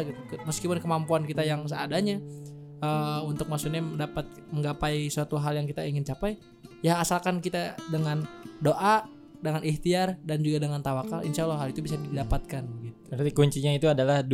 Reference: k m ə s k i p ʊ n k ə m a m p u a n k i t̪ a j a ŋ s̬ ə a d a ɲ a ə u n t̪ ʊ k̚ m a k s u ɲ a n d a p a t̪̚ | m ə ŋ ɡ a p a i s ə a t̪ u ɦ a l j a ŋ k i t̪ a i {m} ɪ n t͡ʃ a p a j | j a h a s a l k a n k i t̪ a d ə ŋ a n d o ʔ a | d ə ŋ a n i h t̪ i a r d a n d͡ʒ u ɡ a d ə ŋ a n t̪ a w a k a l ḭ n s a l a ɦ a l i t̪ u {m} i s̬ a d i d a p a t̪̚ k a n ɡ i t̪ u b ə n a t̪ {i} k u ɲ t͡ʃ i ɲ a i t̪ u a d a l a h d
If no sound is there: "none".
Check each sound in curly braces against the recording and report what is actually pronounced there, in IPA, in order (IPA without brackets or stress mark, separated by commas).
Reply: ŋ, b, i